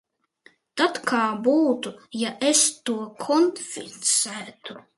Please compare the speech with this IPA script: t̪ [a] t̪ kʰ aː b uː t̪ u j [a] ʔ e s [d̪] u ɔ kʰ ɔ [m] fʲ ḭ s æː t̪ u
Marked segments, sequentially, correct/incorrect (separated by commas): correct, correct, incorrect, incorrect